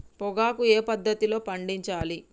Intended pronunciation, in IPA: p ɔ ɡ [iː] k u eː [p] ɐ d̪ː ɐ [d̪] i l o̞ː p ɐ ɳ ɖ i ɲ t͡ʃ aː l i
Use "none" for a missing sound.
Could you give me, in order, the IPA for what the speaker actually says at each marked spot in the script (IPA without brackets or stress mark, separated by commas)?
aː, p, t̪